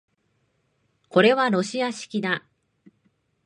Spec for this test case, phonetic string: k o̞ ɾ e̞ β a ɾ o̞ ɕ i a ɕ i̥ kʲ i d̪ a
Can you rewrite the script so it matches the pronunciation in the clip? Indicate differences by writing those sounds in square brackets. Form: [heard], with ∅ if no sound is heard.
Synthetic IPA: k o̞ ɾ e̞ β a ɾ o̞ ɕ i a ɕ i̥ kʲ i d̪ a